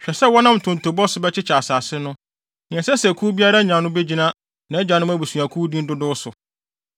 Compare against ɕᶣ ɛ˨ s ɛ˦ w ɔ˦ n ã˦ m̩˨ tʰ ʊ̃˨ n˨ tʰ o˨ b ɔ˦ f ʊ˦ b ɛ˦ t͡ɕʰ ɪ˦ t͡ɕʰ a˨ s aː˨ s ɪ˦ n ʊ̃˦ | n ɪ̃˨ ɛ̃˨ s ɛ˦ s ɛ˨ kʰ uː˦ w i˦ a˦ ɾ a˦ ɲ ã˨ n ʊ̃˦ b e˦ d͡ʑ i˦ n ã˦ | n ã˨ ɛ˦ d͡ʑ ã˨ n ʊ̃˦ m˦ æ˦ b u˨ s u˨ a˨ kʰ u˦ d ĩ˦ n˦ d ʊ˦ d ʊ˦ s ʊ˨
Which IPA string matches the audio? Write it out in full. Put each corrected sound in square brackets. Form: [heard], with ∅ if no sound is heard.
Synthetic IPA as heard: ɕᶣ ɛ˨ s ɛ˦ w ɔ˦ n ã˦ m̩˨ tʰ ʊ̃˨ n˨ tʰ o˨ b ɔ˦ [s] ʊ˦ b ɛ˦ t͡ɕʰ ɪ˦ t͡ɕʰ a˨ s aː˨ s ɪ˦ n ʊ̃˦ | n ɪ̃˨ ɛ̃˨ s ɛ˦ s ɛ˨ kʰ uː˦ [b] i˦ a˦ ɾ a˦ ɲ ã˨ n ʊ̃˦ b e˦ d͡ʑ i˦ n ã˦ | n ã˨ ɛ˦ d͡ʑ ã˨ n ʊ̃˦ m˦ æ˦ b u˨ s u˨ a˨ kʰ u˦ d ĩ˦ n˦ d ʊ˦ d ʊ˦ s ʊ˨